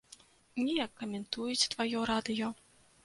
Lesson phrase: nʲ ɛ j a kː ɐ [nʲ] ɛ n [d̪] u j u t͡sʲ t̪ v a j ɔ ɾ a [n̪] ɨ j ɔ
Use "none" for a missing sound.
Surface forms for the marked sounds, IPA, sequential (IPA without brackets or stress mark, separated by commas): mʲ, t̪, d̪